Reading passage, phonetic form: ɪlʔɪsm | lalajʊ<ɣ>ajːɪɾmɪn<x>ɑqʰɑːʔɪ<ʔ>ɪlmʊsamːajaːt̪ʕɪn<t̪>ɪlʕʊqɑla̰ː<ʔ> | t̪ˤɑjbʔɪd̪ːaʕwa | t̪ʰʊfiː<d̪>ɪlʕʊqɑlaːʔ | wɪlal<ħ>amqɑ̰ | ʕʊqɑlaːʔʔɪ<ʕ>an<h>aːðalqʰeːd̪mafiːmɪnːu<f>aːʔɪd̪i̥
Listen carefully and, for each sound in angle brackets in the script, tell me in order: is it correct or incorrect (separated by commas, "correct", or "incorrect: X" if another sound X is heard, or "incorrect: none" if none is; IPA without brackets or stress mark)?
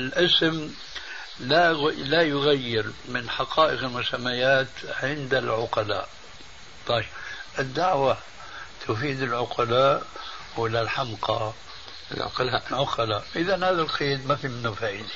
correct, incorrect: ħ, incorrect: q, incorrect: d̪, correct, correct, correct, incorrect: ð, correct, correct